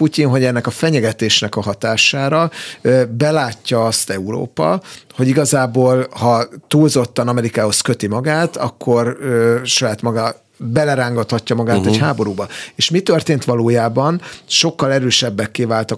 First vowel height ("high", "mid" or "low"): high